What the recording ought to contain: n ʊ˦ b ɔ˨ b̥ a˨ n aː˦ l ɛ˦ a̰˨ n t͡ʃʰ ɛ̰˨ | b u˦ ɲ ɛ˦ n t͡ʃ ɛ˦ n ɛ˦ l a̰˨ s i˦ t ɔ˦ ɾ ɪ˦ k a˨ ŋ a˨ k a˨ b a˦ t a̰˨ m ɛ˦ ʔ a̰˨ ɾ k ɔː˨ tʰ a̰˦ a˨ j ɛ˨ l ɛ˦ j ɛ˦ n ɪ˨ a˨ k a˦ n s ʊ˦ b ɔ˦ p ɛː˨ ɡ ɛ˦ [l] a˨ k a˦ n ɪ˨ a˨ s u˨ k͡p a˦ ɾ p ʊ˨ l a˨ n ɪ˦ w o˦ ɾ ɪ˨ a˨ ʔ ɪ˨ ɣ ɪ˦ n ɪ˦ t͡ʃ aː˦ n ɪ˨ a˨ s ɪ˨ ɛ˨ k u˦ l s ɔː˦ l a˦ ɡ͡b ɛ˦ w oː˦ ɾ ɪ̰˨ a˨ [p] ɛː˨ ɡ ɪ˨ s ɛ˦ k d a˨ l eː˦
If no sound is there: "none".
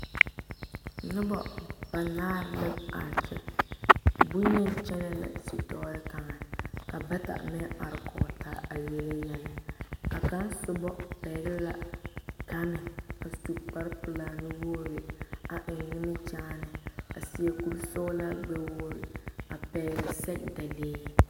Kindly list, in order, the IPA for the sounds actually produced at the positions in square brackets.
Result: l, p

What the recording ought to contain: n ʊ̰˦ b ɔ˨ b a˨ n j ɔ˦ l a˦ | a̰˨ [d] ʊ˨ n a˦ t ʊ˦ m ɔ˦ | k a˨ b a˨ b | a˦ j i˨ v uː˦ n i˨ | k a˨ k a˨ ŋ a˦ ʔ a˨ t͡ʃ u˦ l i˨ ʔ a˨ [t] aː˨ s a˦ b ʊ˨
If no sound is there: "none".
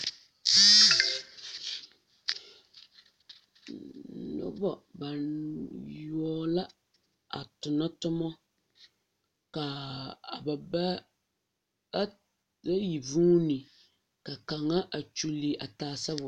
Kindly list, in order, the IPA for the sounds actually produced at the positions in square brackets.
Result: t, t

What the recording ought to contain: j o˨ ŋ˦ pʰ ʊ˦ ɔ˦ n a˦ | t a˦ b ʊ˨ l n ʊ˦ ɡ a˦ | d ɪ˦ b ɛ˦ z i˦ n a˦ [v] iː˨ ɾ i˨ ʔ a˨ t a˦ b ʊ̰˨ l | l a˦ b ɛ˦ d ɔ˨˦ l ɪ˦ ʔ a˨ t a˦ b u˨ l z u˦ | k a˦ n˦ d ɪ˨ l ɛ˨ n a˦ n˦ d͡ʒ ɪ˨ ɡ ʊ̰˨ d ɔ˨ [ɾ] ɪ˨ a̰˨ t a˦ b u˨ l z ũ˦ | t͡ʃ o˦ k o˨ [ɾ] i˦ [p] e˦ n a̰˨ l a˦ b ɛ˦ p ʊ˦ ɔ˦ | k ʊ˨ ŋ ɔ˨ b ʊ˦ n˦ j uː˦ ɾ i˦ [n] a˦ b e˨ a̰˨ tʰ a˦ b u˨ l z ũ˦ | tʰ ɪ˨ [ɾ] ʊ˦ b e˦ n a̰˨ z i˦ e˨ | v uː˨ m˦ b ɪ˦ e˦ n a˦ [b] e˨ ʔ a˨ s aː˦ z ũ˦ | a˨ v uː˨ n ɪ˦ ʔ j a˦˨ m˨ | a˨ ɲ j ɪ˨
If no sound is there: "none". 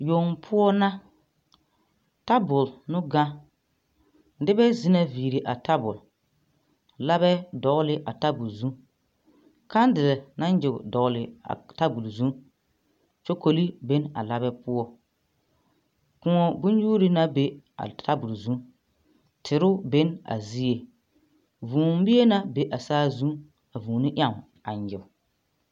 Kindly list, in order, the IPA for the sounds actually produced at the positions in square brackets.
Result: v, l, l, b, n, ɾ, b

